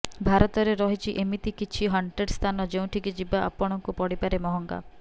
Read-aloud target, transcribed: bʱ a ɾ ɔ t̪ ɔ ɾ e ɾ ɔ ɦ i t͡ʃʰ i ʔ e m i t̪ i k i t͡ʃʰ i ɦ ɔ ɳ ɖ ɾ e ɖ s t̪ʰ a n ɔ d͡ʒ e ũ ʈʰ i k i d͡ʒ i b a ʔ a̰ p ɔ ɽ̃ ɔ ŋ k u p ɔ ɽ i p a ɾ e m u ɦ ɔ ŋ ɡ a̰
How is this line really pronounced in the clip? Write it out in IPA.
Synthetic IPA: bʱ a ɾ ɔ t̪ ɔ ɾ e ɾ ɔ ɦ i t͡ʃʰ i ʔ e m i t̪ i k i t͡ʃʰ i ɦ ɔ ɳ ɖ ɾ e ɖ s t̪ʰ a n ɔ d͡ʒ e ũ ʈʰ i k i d͡ʒ i b a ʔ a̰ p ɔ ɽ̃ ɔ ŋ k u p ɔ ɽ i p a ɾ e m ɔ ɦ ɔ ŋ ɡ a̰